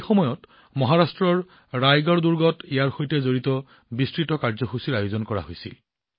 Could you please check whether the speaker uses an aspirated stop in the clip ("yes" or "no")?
no